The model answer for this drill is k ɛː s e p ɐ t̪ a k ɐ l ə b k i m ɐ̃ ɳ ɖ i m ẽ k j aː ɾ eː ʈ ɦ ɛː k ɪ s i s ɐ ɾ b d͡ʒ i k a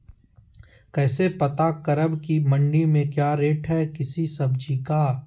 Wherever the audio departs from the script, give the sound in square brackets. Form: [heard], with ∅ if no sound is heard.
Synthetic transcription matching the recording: k ɛː s e p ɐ t̪ a k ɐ [ɾ] ə b k i m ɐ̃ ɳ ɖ i m ẽ k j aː ɾ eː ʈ ɦ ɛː k ɪ s i s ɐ [∅] b d͡ʒ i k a